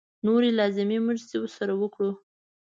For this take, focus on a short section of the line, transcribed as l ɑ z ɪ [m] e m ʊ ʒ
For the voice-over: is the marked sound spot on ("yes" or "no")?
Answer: yes